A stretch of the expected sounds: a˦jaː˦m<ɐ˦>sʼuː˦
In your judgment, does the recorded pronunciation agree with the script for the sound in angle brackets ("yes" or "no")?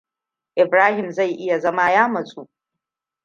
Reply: no